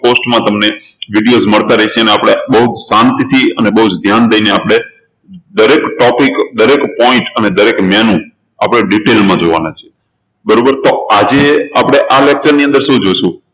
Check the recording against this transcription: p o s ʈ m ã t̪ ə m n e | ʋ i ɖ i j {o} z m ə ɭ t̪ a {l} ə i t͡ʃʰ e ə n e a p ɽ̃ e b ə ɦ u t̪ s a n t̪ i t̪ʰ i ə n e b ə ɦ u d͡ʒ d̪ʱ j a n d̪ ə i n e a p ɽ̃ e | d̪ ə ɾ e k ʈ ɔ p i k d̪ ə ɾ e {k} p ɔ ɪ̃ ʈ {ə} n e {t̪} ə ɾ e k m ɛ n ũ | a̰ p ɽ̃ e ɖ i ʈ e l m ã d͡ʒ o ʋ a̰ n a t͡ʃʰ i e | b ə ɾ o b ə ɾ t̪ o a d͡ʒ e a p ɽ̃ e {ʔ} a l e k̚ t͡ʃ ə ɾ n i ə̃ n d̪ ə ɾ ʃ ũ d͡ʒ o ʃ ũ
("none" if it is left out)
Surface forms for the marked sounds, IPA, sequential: o, ɾ, k, ə, d̪, ʔ

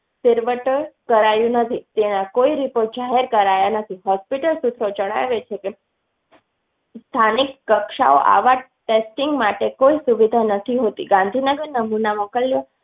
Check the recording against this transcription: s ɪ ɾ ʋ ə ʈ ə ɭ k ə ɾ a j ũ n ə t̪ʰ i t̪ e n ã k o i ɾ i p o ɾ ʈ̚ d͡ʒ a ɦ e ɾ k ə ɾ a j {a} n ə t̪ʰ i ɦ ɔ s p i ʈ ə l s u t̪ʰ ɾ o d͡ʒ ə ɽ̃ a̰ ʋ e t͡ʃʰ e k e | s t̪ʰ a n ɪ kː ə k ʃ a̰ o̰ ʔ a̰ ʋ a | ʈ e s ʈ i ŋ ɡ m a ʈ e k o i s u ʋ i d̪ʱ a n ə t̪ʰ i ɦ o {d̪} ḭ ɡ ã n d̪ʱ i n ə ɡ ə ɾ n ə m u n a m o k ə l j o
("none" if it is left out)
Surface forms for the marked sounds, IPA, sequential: a, t̪

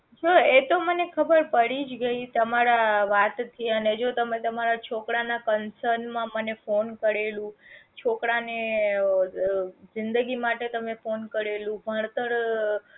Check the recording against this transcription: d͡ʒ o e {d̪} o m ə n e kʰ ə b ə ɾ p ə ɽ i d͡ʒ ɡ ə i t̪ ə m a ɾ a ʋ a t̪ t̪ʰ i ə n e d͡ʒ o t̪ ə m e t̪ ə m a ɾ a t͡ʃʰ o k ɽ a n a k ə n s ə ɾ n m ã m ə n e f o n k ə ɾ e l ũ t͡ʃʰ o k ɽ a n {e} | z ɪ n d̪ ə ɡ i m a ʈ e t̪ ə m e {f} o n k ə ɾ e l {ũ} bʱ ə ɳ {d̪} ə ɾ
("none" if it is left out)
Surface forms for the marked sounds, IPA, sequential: t̪, e, f, ũ, t̪

